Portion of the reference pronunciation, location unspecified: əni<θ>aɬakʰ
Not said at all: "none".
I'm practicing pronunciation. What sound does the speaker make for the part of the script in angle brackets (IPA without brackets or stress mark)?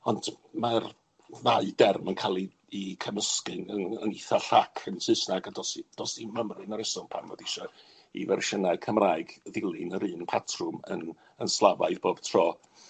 θ